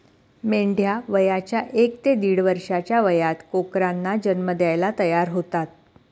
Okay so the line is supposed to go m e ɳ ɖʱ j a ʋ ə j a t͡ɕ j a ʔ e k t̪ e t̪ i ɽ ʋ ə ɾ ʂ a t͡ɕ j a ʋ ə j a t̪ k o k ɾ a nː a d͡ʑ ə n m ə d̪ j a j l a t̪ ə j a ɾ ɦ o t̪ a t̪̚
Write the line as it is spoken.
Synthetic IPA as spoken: m e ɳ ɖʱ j a ʋ ə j a t͡ɕ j a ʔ e k t̪ e d̪ i ɽ ʋ ə ɾ ʂ a t͡ɕ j a ʋ ə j a t̪ k o k ɾ a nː a d͡ʑ ə n m ə d̪ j a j l a t̪ ə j a ɾ ɦ o t̪ a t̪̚